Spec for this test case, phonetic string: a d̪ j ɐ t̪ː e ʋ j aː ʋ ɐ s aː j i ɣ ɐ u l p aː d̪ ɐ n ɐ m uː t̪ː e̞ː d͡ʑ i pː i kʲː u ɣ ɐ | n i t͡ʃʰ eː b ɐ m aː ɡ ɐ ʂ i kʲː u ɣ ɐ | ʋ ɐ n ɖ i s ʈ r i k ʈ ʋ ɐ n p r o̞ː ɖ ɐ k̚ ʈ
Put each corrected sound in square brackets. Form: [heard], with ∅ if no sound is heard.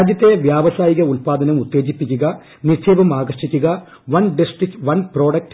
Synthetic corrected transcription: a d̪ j ɐ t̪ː e ʋ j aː ʋ ɐ s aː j i ɣ ɐ u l p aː d̪ ɐ n ɐ m [u] t̪ː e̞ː d͡ʑ i pː i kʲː u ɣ ɐ | n i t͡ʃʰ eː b ɐ m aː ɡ ɐ ʂ i kʲː u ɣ ɐ | ʋ ɐ n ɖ i s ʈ r i k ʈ ʋ ɐ n p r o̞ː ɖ ɐ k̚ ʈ